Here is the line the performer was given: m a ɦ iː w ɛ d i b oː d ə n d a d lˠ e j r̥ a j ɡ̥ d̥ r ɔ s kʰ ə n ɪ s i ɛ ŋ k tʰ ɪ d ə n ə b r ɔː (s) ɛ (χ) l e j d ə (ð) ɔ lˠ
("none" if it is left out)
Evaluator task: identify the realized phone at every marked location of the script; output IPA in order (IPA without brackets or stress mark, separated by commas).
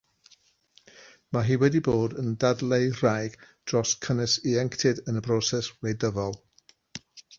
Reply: s, s, v